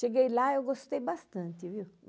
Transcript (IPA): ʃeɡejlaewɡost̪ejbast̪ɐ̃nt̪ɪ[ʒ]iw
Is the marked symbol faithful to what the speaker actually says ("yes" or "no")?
no